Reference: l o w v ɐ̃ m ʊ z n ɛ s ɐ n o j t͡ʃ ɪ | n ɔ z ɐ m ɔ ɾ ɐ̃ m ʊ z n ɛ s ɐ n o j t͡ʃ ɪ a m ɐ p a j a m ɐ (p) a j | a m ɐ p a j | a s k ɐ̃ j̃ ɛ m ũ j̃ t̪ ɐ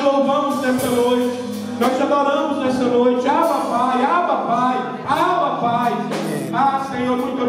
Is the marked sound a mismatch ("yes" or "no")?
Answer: no